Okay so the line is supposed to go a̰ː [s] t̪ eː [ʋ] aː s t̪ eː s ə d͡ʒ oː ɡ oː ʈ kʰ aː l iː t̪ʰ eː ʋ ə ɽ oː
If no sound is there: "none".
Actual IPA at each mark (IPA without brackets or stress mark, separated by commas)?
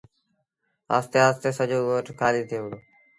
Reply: s, none